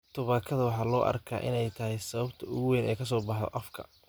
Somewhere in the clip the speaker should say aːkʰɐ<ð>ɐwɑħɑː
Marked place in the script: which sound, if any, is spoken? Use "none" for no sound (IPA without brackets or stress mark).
ð